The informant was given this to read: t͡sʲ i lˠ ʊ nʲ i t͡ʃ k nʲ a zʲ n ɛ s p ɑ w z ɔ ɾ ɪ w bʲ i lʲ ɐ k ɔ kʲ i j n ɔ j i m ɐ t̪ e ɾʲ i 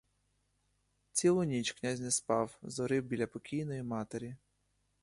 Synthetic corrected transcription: t͡sʲ i lˠ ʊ nʲ i t͡ʃ k nʲ a zʲ n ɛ s p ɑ w z ɔ ɾ ɪ w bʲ i lʲ ɐ p ɔ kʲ i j n ɔ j i m ɑ t̪ e ɾʲ i